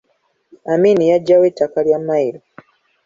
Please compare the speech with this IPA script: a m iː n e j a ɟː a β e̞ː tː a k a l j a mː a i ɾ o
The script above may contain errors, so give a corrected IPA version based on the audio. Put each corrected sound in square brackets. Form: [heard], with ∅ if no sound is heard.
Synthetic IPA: a m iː n [i] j a ɟː a [w] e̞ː tː a k a l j a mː a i ɾ o